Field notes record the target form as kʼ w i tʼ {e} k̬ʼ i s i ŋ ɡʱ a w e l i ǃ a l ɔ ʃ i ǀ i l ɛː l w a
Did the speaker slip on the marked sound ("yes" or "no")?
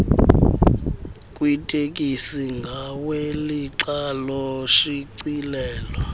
no